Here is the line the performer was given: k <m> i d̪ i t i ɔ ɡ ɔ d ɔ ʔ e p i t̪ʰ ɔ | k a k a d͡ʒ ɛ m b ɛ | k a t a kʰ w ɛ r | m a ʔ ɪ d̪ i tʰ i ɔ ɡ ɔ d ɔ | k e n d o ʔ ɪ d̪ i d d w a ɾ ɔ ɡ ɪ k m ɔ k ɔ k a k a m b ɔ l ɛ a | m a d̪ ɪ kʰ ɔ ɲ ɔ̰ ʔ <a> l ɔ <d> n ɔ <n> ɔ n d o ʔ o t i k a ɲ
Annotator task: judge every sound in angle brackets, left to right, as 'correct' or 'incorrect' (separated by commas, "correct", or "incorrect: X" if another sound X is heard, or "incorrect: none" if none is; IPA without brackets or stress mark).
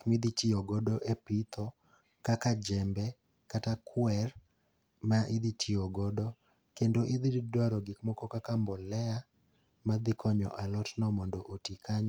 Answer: correct, correct, incorrect: t, incorrect: m